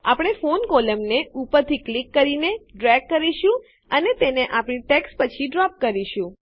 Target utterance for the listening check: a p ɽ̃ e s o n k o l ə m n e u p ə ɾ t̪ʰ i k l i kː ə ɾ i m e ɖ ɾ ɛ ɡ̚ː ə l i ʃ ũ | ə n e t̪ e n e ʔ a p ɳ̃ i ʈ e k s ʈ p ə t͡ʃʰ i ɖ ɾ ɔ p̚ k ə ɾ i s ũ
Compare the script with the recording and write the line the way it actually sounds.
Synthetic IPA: a p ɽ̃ e f o n k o l ə m n e u p ə ɾ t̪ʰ i k l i kː ə ɾ i n e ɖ ɾ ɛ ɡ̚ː ə ɾ i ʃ ũ | ə n e t̪ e n e ʔ a p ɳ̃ i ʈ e k s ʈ p ə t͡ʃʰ i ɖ ɾ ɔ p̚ k ə ɾ i ʃ ũ